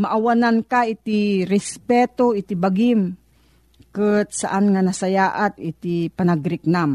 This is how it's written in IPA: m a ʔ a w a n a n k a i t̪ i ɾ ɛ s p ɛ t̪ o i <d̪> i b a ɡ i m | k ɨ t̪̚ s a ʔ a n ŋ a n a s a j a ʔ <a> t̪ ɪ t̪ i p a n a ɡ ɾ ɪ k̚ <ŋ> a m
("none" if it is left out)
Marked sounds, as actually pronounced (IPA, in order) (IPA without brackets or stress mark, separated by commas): t̪, a, n